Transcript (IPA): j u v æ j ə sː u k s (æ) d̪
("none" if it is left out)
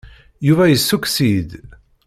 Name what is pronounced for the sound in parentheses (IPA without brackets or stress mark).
i